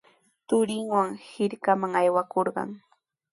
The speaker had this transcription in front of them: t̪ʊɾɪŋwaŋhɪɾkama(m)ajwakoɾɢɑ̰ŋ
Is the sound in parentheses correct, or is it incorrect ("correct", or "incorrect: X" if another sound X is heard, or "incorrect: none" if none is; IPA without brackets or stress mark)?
incorrect: ŋ